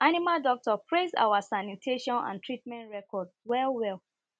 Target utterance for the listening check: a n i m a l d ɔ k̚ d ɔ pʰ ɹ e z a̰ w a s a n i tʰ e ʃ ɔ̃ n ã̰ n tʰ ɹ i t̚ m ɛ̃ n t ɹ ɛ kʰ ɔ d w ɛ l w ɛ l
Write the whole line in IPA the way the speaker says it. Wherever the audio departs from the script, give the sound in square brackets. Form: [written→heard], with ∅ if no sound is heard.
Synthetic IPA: a n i m a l d ɔ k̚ [d→t] ɔ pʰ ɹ e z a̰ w a s a n i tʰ e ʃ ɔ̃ n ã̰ n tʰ ɹ i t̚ m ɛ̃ n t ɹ ɛ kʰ ɔ d w ɛ l w ɛ l